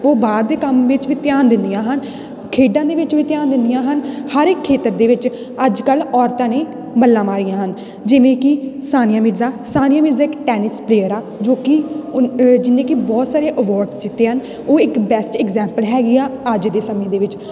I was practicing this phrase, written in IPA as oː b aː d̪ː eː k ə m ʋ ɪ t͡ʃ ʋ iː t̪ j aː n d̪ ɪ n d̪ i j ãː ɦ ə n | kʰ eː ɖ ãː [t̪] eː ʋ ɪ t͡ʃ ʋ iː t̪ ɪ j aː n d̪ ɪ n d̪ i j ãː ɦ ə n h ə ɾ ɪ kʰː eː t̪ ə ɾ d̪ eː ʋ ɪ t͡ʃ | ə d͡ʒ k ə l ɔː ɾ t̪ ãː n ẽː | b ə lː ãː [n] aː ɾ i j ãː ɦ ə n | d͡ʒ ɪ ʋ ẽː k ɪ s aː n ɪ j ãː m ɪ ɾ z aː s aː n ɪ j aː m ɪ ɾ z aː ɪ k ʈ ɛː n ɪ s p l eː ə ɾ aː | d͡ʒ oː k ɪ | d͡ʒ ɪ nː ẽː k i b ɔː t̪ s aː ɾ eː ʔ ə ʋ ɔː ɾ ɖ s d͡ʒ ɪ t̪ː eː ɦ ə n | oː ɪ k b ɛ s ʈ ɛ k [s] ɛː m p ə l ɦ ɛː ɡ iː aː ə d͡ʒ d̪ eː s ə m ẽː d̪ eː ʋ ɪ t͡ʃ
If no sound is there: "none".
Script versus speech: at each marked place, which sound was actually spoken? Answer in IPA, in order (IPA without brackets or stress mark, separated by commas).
d̪, m, z